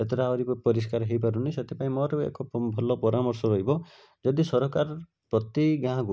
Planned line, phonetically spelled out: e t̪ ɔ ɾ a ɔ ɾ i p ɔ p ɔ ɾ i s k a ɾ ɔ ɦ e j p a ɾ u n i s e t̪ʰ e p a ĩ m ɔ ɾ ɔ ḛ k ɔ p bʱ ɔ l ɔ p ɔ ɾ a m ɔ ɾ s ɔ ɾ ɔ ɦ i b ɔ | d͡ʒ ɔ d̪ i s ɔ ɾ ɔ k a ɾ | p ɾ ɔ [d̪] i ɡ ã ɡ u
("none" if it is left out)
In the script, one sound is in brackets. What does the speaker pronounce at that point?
t̪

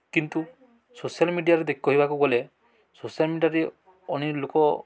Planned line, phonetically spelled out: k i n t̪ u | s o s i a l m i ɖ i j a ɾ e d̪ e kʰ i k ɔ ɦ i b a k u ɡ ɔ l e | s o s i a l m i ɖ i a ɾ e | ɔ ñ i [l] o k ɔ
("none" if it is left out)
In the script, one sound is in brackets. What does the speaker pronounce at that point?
l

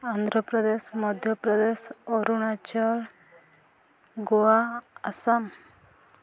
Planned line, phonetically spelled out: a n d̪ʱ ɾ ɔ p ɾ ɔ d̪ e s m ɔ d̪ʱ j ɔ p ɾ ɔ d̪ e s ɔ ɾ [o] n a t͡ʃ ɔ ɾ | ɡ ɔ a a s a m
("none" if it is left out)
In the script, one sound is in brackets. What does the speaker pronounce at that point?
u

